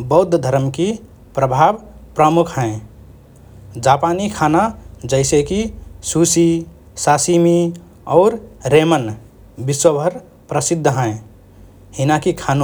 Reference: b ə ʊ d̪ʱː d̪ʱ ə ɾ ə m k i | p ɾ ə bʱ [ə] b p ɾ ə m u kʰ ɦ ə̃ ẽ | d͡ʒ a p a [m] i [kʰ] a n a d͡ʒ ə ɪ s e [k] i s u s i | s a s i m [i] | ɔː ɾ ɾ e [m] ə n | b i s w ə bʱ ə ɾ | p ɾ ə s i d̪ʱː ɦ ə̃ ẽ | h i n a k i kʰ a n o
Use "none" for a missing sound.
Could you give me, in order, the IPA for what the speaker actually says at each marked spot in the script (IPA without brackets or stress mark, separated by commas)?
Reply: a, n, kʰ, k, i, m